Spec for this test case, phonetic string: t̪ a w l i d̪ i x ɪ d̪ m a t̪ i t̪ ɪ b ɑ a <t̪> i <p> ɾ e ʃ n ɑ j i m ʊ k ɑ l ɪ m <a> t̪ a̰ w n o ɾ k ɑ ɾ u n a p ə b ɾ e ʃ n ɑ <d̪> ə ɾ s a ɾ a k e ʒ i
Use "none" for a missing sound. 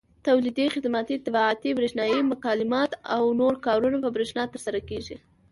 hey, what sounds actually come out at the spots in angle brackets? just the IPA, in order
t̪, b, ɑ, t̪

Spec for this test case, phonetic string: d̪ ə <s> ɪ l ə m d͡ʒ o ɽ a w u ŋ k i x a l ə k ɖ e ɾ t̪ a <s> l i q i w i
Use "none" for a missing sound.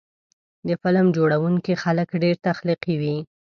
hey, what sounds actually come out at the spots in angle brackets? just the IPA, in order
f, x

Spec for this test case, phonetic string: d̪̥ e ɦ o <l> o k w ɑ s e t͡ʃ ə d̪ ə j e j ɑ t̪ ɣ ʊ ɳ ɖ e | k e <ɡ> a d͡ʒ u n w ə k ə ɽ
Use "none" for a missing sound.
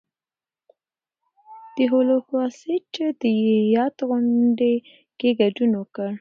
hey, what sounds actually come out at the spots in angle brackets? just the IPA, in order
l, ɡ

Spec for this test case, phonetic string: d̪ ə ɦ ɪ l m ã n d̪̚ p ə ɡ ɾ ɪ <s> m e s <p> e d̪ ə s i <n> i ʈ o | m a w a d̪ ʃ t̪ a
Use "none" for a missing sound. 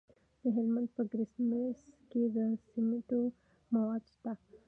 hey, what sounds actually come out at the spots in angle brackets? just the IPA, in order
s, k, m

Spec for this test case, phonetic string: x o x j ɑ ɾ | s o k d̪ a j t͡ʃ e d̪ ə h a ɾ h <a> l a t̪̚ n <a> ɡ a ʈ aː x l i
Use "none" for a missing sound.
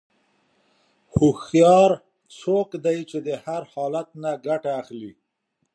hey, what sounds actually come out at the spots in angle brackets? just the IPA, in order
ɑ, a

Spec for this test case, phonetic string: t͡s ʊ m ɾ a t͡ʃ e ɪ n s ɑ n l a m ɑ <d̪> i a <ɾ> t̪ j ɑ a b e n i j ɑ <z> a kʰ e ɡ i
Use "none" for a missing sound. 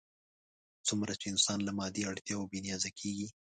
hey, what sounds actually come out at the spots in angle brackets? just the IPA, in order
d̪, ɽ, z

